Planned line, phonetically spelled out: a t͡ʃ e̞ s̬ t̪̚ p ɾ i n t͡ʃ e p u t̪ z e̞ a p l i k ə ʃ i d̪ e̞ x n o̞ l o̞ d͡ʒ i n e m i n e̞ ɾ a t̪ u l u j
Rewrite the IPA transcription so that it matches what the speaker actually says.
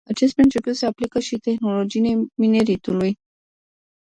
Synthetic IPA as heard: a t͡ʃ e̞ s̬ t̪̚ p ɾ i n t͡ʃ e p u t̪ s e̞ a p l i k ə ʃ i t̪ e̞ x n o̞ l o̞ d͡ʒ i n e m i n e̞ ɾ i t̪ u l u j